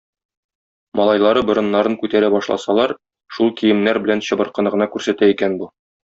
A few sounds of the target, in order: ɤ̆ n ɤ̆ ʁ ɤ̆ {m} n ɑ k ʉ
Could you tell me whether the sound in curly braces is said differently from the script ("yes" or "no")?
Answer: yes